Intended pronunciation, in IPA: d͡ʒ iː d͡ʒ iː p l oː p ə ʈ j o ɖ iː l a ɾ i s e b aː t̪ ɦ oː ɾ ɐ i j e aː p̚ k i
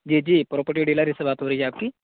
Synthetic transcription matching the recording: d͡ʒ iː d͡ʒ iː p ɾ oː p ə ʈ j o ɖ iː l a ɾ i s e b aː t̪ ɦ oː ɾ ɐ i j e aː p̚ k i